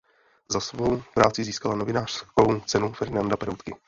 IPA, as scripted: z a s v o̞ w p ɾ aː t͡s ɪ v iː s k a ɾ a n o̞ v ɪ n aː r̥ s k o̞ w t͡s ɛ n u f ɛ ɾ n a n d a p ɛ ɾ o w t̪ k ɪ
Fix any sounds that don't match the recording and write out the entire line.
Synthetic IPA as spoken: z a s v o̞ w p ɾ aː t͡s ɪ z iː s k a l a n o̞ v ɪ n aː r̥ s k o̞ w t͡s ɛ n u f ɛ ɾ n a n d a p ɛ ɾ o w t̪ k ɪ